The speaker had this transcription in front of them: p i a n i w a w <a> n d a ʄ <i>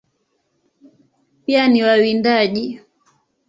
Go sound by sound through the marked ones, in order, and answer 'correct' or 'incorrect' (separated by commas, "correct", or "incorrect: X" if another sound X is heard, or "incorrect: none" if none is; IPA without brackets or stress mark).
incorrect: i, correct